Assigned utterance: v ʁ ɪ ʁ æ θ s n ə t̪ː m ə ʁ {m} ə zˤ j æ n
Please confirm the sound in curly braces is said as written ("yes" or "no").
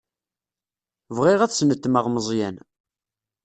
yes